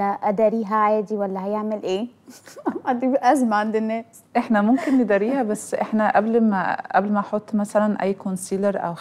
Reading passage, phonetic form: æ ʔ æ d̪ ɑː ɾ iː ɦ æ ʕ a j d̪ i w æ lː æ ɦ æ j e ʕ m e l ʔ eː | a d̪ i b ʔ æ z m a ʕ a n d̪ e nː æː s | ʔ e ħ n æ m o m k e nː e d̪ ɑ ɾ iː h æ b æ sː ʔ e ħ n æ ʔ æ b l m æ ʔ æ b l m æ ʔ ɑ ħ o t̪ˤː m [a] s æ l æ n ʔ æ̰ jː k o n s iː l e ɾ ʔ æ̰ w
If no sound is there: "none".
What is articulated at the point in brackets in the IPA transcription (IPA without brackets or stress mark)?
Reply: æ